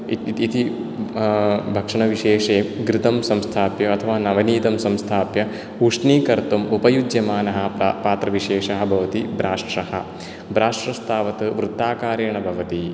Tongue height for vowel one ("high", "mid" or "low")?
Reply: high